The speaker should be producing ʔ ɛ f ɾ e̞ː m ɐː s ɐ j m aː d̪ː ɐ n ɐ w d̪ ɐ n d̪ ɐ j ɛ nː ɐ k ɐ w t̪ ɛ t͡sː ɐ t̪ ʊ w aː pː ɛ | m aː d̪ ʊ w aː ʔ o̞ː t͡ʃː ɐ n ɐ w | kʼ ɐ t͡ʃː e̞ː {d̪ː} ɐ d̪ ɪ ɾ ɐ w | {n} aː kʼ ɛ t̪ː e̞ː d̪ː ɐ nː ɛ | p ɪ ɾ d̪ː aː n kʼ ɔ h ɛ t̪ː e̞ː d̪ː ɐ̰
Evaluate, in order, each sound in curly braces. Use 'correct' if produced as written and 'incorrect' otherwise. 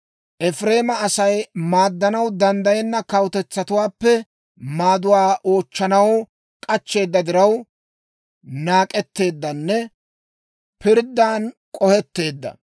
correct, correct

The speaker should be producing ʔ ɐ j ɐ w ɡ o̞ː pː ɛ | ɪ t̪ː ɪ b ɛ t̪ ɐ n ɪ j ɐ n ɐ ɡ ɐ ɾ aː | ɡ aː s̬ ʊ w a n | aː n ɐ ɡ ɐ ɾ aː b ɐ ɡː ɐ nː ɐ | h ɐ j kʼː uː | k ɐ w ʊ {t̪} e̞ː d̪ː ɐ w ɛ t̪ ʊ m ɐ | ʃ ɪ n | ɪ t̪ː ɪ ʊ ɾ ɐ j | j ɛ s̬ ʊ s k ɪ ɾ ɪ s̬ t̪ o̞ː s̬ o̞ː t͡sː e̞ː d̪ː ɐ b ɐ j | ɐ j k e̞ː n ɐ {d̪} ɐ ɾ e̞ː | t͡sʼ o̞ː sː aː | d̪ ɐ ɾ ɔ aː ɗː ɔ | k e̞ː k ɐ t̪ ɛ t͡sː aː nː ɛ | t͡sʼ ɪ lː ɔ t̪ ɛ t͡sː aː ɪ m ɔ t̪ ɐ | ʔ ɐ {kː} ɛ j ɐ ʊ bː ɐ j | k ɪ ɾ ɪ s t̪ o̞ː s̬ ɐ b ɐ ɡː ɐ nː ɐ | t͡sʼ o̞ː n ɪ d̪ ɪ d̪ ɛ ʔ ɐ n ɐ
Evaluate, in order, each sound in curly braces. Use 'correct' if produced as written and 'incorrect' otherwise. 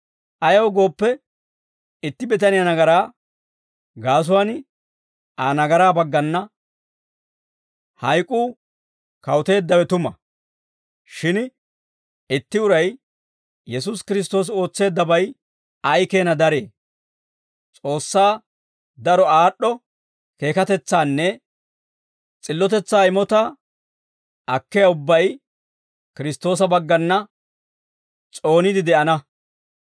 correct, correct, correct

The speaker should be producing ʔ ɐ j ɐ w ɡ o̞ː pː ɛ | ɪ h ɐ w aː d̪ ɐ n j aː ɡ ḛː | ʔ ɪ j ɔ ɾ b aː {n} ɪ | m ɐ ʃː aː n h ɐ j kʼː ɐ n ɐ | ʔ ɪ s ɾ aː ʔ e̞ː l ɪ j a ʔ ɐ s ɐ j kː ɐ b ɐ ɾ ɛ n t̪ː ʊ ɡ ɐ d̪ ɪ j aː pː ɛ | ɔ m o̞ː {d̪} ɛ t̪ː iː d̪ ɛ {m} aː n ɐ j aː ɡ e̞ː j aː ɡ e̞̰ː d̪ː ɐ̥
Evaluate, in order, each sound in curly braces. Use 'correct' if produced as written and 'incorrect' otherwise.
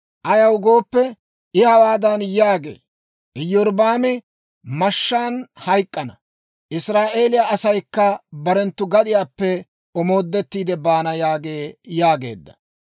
incorrect: m, incorrect: d̪ː, incorrect: b

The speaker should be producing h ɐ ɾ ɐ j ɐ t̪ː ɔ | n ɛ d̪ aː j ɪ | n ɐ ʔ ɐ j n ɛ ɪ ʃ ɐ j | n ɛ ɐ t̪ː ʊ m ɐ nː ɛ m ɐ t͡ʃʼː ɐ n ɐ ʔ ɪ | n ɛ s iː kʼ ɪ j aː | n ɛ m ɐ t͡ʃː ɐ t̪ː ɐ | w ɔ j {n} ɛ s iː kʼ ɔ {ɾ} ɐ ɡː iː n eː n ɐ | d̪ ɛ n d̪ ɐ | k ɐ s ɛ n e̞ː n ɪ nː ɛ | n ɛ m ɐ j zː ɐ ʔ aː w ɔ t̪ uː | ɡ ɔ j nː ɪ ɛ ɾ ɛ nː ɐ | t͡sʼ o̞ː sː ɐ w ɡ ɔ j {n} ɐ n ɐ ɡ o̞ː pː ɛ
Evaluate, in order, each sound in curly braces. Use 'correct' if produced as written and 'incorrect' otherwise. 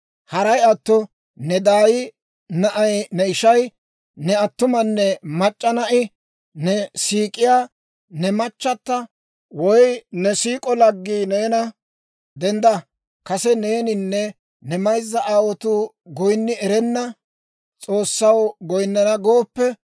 correct, incorrect: l, incorrect: nː

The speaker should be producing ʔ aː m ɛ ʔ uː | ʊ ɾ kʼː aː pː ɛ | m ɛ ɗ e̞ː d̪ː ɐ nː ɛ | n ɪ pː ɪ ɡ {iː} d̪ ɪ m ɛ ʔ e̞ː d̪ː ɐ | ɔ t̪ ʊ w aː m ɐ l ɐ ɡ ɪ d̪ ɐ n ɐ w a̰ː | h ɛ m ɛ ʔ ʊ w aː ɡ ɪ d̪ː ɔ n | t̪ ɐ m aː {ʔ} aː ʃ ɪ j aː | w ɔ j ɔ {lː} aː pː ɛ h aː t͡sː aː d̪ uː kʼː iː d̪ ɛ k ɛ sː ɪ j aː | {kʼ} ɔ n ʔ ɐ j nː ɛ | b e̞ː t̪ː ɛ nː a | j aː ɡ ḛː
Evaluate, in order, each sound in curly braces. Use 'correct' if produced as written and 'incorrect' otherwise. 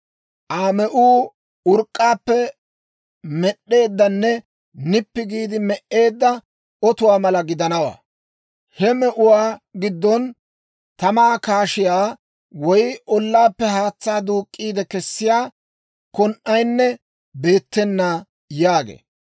correct, incorrect: k, correct, incorrect: k

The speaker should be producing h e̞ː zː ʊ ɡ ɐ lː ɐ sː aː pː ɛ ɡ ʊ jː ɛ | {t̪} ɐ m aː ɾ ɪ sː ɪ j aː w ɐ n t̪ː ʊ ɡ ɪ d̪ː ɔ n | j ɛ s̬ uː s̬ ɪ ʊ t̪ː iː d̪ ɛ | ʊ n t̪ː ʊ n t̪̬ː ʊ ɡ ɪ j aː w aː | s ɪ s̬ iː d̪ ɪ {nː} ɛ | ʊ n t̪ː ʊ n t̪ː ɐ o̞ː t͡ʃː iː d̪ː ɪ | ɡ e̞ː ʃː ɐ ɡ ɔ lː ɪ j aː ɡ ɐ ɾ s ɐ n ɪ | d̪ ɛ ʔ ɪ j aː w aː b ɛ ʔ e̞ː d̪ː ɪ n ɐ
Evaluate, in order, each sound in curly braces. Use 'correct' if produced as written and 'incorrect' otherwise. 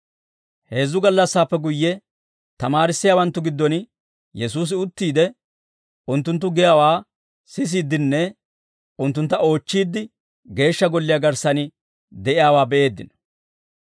correct, correct

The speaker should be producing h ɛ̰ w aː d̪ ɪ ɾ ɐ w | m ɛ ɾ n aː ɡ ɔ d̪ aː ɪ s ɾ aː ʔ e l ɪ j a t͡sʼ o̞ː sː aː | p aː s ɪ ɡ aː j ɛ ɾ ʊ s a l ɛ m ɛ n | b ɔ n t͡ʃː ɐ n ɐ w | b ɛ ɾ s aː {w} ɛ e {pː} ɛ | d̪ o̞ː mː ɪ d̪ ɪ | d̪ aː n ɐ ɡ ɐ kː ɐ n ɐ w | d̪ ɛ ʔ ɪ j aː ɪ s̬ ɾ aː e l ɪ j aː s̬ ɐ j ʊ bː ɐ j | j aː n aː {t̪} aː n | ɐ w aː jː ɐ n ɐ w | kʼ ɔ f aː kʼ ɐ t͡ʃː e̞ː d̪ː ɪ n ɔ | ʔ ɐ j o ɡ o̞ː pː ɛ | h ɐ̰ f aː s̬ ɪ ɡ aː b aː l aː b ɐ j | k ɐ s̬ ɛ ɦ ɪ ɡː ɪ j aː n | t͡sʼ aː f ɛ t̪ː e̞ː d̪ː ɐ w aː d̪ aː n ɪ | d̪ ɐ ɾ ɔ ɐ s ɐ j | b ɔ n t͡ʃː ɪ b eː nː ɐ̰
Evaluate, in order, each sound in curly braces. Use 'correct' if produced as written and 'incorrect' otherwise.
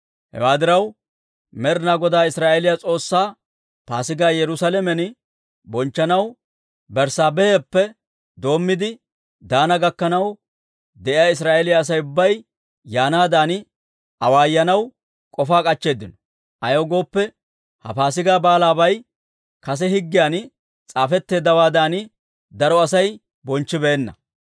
incorrect: b, correct, incorrect: d̪

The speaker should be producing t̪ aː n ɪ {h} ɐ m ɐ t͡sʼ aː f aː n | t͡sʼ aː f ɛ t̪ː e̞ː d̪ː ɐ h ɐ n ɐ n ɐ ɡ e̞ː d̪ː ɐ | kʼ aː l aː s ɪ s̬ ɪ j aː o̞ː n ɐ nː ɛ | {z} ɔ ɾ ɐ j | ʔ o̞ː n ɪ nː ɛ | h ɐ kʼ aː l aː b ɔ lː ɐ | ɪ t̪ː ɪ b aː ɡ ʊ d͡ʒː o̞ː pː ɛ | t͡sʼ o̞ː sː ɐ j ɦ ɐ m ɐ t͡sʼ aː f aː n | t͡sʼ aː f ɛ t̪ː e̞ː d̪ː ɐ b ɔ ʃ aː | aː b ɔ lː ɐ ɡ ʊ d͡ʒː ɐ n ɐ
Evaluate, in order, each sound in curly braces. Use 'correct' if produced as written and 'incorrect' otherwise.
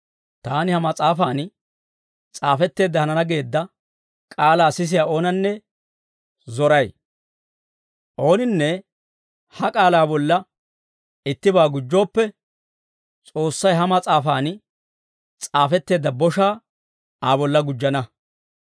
correct, correct

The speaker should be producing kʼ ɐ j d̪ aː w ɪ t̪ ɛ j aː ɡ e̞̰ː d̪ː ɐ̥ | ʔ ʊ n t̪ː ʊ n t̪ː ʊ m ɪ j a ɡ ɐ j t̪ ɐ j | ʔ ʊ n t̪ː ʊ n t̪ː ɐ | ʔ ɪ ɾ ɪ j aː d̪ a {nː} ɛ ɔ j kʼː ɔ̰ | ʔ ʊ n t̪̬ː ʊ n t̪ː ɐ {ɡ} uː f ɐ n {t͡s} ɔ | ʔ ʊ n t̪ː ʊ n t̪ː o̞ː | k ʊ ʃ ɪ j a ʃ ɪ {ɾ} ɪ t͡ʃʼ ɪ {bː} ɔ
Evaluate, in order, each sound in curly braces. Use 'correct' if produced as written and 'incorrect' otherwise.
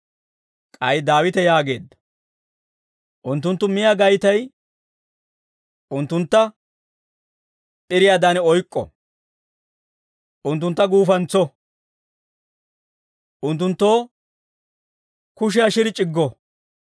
incorrect: n, correct, correct, correct, incorrect: ɡː

